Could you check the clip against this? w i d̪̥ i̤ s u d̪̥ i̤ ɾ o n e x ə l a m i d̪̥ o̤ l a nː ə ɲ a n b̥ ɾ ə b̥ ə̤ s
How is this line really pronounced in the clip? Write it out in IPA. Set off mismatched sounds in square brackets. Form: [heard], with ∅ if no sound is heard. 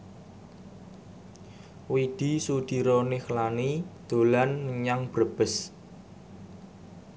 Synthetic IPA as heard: w i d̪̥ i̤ s u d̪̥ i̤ ɾ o n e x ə l a [n] i d̪̥ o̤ l a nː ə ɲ a [ŋ] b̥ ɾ ə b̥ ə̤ s